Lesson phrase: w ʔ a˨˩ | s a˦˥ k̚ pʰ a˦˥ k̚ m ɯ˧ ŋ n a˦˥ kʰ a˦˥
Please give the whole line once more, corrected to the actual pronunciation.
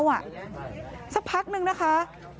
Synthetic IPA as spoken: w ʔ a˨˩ | s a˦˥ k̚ pʰ a˦˥ k̚ n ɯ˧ ŋ n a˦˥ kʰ a˦˥